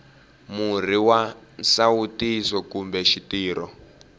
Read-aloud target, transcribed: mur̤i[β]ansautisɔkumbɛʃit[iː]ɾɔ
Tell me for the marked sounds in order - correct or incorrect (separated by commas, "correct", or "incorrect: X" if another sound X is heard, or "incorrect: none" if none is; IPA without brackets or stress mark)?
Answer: incorrect: w, correct